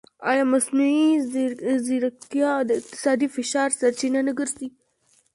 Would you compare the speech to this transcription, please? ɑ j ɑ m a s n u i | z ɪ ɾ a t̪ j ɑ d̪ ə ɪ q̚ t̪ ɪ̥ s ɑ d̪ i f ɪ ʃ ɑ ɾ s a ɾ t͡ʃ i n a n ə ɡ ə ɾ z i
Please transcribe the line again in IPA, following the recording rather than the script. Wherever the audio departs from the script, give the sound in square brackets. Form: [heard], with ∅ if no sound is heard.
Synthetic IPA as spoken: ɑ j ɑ m a s n u i | z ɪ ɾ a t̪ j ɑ d̪ ə ɪ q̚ t̪ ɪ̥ s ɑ d̪ i f ɪ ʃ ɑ ɾ s a ɾ t͡ʃ i n a n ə ɡ ə ɾ z i